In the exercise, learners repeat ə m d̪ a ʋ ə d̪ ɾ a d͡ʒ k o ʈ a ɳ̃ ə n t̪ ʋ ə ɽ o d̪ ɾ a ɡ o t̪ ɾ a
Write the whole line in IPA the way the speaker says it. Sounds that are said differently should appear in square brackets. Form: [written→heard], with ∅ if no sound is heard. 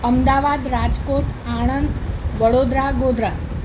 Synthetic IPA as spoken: ə m d̪ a ʋ [ə→a] d̪ ɾ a d͡ʒ k o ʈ a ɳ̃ ə n [t̪→d̪] ʋ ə ɽ o d̪ ɾ a ɡ o [t̪→d̪] ɾ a